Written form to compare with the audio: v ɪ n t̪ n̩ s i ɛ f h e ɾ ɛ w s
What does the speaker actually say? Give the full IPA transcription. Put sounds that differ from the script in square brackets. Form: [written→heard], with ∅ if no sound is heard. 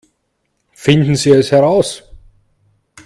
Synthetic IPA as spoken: [v→f] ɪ n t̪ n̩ s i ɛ [f→s] h [e→ɛ] ɾ [ɛ→a] w s